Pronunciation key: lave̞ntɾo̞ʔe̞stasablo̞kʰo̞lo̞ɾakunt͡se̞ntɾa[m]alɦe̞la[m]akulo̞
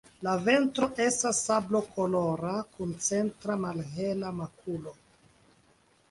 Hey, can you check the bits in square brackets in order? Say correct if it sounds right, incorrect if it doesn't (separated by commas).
correct, correct